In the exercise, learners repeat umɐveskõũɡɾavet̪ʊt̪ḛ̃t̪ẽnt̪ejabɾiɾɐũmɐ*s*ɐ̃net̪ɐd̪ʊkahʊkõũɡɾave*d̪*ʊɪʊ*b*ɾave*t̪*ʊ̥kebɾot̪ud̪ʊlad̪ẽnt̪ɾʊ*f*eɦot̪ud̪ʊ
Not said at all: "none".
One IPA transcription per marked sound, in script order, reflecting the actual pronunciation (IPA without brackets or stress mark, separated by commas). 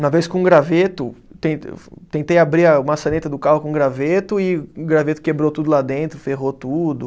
s, t̪, ɡ, t̪, f